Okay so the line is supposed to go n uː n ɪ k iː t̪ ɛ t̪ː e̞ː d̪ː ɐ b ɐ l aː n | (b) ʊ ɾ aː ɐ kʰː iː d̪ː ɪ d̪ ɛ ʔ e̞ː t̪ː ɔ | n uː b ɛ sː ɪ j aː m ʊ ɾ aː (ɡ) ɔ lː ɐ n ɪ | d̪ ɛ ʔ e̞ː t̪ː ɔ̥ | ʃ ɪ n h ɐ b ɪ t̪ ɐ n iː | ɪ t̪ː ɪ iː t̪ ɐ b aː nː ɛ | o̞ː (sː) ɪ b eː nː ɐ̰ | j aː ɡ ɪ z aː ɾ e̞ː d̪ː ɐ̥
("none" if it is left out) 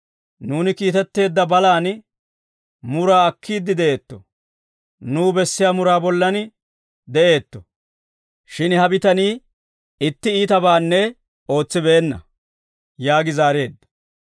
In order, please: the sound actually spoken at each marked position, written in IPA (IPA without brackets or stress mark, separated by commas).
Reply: m, b, t͡sː